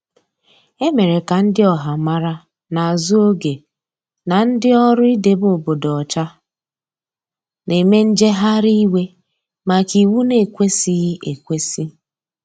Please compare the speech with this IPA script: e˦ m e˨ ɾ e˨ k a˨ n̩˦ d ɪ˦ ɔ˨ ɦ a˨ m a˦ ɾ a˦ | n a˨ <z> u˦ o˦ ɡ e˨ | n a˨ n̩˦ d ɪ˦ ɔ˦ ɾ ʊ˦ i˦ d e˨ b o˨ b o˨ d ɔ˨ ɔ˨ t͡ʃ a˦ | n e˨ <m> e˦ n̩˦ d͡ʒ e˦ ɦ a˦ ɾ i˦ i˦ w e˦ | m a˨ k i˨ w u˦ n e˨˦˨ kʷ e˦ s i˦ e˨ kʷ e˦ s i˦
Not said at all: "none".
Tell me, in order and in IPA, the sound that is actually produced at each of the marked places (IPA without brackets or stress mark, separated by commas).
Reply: z, m